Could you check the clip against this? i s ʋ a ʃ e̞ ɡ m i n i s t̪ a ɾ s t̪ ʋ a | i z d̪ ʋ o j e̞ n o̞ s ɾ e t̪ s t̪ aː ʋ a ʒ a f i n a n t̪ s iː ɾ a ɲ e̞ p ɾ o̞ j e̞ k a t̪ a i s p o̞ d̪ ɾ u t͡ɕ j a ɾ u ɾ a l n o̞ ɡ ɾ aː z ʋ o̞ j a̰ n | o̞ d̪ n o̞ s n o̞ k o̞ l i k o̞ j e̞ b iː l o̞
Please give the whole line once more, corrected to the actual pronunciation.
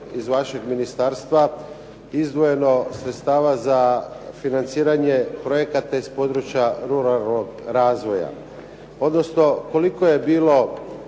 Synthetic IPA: i z ʋ a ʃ e̞ ɡ m i n i s t̪ a ɾ s t̪ ʋ a | i z d̪ ʋ o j e̞ n o̞ s ɾ e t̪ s t̪ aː ʋ a z a f i n a n t̪ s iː ɾ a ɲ e̞ p ɾ o̞ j e̞ k a t̪ a i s p o̞ d̪ ɾ u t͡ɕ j a ɾ u ɾ a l n o̞ ɡ ɾ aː z ʋ o̞ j a̰ | o̞ d̪ n o̞ s n o̞ k o̞ l i k o̞ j e̞ b iː l o̞

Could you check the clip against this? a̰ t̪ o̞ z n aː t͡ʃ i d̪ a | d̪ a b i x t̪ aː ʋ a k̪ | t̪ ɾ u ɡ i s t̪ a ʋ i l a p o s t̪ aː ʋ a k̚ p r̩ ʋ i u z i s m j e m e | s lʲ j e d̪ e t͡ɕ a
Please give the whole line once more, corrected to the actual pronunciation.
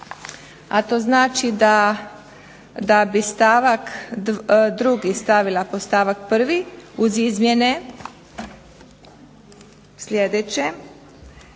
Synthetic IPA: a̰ t̪ o̞ z n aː t͡ʃ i d̪ a | d̪ a b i s t̪ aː ʋ a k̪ | d̪ ɾ u ɡ i s t̪ a ʋ i l a p o s t̪ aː ʋ a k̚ p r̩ ʋ i u z i z m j e n e | s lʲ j e d̪ e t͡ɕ e

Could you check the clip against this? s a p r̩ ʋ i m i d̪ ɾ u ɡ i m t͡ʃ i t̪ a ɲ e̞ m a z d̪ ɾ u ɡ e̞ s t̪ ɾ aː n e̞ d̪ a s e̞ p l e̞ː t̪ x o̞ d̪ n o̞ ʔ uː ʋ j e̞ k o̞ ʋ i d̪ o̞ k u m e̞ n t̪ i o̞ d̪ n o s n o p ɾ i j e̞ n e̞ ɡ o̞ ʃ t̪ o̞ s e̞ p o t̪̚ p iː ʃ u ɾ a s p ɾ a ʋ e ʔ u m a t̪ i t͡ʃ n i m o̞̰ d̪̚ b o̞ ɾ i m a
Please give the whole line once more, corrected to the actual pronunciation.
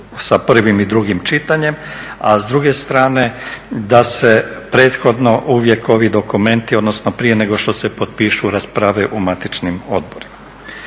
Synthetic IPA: s a p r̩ ʋ i m i d̪ ɾ u ɡ i m t͡ʃ i t̪ a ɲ e̞ m a z d̪ ɾ u ɡ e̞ s t̪ ɾ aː n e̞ d̪ a s e̞ p ɾ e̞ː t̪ x o̞ d̪ n o̞ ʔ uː ʋ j e̞ k o̞ ʋ i d̪ o̞ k u m e̞ n t̪ i o̞ d̪ n o s n o p ɾ i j e̞ n e̞ ɡ o̞ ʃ t̪ o̞ s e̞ p o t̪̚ p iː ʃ u ɾ a s p ɾ a ʋ e ʔ u m a t̪ i t͡ʃ n i m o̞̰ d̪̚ b o̞ ɾ i m a

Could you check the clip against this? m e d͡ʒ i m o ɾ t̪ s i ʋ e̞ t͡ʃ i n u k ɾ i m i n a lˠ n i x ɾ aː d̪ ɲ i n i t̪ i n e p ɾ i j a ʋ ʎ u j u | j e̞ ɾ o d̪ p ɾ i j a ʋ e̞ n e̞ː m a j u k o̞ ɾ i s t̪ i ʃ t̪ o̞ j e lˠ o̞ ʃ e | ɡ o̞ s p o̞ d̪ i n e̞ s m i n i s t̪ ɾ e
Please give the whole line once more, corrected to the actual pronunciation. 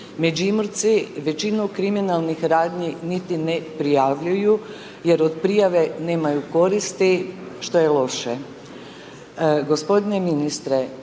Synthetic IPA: m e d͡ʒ i m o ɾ t̪ s i ʋ e̞ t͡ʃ i n u k ɾ i m i n a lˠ n i x ɾ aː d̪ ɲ i n i t̪ i n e p ɾ i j a ʋ ʎ u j u | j e̞ ɾ o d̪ p ɾ i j a ʋ e̞ n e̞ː m a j u k o̞ ɾ i s t̪ i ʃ t̪ o̞ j e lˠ o̞ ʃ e | ɡ o̞ s p o̞ d̪ i n e̞ m i n i s t̪ ɾ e

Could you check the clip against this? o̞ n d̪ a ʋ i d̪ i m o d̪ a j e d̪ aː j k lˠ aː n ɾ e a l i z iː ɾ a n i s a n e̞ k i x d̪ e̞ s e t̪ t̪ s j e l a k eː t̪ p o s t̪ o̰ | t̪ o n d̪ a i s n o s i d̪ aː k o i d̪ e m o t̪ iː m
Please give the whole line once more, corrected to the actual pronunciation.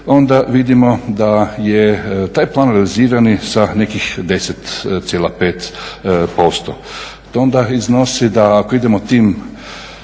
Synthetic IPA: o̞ n d̪ a ʋ i d̪ i m o d̪ a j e t̪ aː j p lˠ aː n ɾ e a l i z iː ɾ a n i s a n e̞ k i x d̪ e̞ s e t̪ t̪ s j e l a p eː t̪ p o s t̪ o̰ | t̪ o n d̪ a i z n o s i d̪ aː k o i d̪ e m o t̪ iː m

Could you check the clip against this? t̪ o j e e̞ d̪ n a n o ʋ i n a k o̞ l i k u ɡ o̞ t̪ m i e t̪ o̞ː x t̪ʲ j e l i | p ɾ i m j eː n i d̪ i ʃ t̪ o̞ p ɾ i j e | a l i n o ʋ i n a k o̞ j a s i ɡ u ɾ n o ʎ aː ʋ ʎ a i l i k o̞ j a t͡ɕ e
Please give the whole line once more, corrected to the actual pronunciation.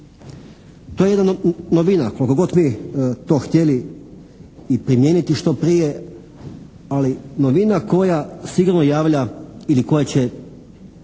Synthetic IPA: t̪ o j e e̞ d̪ n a n o ʋ i n a k o̞ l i k o ɡ o̞ t̪ m i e t̪ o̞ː x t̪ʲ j e l i | p ɾ i m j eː n i t̪ i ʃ t̪ o̞ p ɾ i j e | a l i n o ʋ i n a k o̞ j a s i ɡ u ɾ n o j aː ʋ ʎ a i l i k o̞ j a t͡ɕ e

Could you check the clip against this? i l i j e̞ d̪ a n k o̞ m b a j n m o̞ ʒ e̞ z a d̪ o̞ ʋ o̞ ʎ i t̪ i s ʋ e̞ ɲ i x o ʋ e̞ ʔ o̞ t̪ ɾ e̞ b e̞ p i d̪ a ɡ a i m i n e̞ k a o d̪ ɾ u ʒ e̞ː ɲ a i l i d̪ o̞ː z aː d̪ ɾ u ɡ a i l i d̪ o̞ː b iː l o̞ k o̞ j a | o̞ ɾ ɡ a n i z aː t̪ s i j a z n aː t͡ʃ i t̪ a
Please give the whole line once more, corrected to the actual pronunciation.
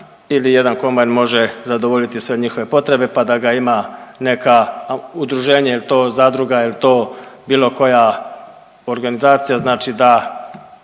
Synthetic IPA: i l i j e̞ d̪ a n k o̞ m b a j n m o̞ ʒ e̞ z a d̪ o̞ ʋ o̞ ʎ i t̪ i s ʋ e̞ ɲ i x o ʋ e̞ p o̞ t̪ ɾ e̞ b e̞ p a d̪ a ɡ a i m a n e̞ k a u d̪ ɾ u ʒ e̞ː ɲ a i l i t̪ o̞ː z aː d̪ ɾ u ɡ a i l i t̪ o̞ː b iː l o̞ k o̞ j a | o̞ ɾ ɡ a n i z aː t̪ s i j a z n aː t͡ʃ i d̪ a

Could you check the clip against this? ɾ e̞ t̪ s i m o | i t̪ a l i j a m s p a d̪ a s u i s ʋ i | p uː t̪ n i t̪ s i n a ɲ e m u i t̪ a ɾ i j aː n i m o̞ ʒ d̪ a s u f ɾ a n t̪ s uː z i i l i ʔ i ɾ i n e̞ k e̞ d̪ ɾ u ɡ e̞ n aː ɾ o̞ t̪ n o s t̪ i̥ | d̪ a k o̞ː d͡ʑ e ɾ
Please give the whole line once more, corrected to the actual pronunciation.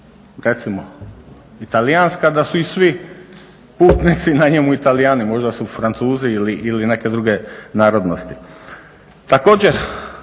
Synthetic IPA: ɾ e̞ t̪ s i m o | i t̪ a l i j a n s k a d̪ a s u i s ʋ i | p uː t̪ n i t̪ s i n a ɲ e m u i t̪ a l i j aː n i m o̞ ʒ d̪ a s u f ɾ a n t̪ s uː z i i l i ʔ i l i n e̞ k e̞ d̪ ɾ u ɡ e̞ n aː ɾ o̞ d̪ n o s t̪ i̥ | t̪ a k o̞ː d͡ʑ e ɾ

